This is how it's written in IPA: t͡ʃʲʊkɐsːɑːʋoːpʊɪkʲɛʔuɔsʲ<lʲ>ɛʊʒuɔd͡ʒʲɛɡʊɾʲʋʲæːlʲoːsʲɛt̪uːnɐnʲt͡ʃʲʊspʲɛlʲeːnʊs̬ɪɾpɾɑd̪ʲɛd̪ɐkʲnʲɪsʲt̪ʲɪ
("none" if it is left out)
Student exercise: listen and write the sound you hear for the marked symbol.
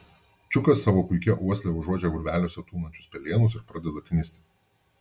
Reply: lʲ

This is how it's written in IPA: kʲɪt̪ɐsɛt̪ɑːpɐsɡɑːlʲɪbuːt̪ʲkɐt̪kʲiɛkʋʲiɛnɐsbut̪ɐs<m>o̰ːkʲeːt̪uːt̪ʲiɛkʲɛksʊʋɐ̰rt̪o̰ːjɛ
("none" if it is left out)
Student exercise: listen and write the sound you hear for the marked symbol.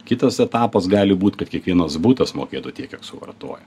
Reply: m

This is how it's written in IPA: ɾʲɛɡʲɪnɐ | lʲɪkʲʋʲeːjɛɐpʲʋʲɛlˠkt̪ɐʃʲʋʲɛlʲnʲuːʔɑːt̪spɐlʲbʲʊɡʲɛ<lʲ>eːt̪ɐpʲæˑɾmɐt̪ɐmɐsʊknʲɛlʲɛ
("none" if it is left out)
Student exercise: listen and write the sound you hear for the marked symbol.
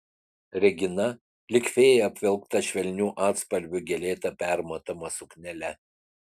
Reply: lʲ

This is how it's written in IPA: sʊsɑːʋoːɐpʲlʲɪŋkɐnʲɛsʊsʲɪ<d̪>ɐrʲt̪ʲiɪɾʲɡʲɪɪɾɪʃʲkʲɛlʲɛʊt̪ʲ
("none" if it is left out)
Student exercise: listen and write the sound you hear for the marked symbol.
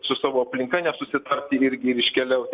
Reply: t̪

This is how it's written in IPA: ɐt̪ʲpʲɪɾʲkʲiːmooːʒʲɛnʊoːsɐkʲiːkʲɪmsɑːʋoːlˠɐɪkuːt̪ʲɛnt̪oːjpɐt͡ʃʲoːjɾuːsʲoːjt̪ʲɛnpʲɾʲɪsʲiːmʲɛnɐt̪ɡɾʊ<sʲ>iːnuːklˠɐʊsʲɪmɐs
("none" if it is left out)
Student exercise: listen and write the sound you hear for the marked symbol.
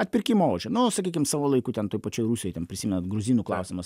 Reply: zʲ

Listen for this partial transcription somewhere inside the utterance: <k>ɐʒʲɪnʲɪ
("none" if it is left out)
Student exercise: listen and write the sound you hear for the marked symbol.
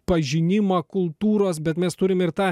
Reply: p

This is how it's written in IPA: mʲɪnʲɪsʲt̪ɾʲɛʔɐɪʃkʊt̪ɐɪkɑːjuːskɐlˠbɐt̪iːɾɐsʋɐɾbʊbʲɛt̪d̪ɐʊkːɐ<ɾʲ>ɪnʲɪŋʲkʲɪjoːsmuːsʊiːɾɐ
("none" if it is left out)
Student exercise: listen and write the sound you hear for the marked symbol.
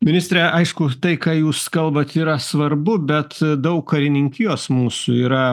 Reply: ɾʲ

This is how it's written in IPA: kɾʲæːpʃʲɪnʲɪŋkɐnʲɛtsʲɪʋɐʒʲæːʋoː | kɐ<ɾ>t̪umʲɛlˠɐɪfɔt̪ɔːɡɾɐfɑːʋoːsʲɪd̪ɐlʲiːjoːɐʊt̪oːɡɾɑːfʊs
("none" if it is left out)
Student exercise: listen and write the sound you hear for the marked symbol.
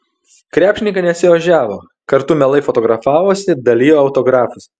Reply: ɾ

